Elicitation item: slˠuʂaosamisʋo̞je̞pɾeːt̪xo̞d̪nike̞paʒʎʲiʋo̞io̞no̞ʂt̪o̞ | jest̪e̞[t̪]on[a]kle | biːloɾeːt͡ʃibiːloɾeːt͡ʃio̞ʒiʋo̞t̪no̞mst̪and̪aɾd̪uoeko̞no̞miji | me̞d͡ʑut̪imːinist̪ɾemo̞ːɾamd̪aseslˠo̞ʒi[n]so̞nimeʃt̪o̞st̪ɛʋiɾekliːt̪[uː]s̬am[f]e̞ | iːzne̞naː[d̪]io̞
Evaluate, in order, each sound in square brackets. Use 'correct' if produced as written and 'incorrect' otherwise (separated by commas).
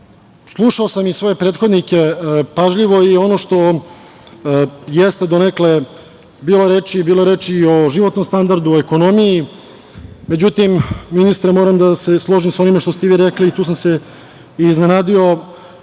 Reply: incorrect, incorrect, incorrect, correct, incorrect, correct